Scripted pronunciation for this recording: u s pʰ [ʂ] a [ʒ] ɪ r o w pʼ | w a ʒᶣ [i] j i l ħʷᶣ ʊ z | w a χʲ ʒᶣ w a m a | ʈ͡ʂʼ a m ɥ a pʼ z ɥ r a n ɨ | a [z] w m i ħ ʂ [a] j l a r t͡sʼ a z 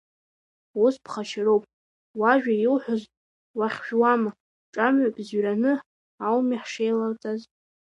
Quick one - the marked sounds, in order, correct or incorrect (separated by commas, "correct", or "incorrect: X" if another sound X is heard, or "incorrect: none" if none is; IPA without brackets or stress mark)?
incorrect: χ, incorrect: ʃ, incorrect: a, incorrect: none, incorrect: e